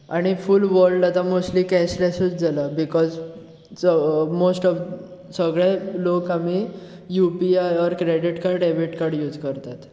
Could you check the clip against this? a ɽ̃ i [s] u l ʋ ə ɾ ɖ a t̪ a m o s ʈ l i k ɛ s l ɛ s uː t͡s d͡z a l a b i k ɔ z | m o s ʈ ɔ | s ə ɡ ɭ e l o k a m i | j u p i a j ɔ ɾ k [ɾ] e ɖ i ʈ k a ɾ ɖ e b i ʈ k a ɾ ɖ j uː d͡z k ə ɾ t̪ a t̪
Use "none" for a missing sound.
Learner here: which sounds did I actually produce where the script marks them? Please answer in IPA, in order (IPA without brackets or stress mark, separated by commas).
f, ɾ